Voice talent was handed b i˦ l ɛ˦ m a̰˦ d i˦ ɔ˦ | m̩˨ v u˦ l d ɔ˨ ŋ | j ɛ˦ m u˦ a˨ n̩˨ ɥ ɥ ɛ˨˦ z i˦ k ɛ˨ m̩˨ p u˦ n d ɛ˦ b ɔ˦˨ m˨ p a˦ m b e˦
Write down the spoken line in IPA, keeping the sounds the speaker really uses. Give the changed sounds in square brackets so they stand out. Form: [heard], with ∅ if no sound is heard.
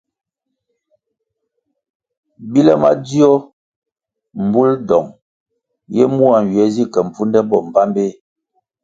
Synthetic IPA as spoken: b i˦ l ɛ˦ m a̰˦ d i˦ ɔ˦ | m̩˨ [b] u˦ l d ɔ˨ ŋ | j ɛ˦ m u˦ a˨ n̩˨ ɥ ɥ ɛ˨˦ z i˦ k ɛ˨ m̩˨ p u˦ n d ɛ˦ b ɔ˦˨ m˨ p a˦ m b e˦